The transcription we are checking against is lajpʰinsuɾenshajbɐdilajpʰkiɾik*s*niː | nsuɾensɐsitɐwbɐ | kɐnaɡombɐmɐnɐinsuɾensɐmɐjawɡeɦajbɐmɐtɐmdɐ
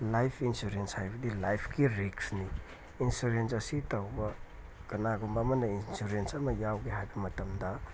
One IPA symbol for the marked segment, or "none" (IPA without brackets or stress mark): s